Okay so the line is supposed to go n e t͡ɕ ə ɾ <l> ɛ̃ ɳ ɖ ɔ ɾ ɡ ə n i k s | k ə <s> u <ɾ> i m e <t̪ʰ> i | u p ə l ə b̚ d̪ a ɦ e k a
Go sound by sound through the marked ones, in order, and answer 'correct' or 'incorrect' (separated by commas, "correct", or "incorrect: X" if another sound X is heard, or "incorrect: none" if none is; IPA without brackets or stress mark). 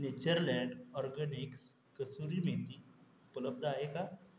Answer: correct, correct, correct, incorrect: t̪